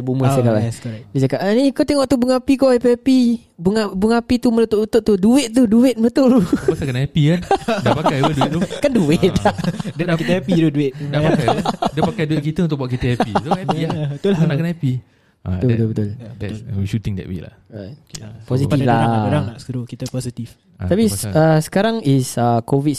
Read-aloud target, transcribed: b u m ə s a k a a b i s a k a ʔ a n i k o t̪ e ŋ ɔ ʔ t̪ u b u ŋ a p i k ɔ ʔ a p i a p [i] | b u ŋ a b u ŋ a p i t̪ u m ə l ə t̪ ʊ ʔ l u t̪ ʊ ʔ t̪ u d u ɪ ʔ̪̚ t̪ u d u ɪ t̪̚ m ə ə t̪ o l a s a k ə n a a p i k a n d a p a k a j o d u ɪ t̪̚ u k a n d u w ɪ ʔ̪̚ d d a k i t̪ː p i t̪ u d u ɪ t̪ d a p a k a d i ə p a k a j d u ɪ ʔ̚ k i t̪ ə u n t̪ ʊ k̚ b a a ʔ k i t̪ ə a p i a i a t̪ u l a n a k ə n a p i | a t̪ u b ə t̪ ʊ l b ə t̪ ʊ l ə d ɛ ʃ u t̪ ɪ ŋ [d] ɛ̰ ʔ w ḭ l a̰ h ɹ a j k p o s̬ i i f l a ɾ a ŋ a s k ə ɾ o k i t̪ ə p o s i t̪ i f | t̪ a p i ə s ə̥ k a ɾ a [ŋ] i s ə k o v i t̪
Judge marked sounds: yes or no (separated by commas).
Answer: yes, yes, yes